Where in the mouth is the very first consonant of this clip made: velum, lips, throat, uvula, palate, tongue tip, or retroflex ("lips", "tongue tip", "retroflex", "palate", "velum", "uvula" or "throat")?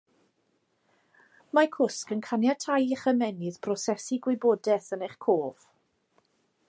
lips